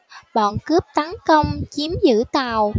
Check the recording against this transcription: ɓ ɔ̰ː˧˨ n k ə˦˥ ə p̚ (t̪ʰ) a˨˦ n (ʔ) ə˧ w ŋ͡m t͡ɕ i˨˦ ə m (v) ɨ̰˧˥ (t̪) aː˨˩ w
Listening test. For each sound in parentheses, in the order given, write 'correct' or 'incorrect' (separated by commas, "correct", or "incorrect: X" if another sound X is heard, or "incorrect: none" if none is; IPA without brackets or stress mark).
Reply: incorrect: t̪, incorrect: k, incorrect: z, correct